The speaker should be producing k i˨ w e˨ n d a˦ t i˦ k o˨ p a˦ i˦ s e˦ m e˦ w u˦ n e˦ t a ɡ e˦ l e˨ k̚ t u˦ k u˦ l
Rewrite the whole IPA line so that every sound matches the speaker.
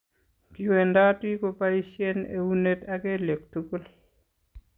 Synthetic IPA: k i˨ w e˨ n d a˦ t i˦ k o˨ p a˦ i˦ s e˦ n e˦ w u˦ n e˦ t a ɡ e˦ l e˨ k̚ t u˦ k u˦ l